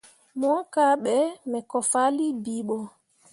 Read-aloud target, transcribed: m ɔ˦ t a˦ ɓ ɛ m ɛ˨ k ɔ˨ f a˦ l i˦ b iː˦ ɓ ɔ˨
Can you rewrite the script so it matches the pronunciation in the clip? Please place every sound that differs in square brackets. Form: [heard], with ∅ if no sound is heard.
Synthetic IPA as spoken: m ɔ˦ [k] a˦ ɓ ɛ m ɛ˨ k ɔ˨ f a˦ l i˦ b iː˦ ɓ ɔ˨